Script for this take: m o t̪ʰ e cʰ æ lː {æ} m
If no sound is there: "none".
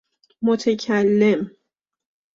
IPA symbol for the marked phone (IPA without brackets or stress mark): e